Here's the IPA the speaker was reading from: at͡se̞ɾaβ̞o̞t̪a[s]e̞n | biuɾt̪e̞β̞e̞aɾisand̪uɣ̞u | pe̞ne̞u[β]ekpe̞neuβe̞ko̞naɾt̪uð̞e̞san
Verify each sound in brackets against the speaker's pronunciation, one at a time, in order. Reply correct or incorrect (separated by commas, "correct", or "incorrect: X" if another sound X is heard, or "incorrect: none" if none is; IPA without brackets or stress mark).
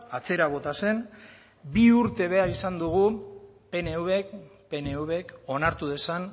correct, correct